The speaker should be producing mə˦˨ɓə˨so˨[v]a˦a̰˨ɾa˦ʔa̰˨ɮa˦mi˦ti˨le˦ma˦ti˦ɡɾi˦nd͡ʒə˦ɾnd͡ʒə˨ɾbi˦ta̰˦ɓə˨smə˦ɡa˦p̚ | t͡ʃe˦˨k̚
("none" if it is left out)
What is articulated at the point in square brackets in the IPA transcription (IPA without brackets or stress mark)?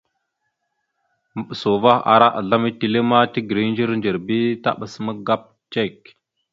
v